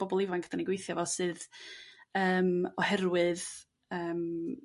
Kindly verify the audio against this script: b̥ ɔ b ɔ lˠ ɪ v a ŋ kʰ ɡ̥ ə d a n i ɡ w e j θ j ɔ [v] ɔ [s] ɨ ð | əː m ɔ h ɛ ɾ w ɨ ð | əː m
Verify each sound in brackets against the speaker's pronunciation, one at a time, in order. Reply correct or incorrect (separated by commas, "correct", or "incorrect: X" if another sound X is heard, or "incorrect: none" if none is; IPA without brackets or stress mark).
correct, correct